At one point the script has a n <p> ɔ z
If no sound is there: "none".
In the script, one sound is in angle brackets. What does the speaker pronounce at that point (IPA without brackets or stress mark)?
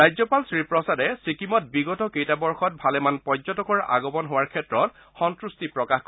p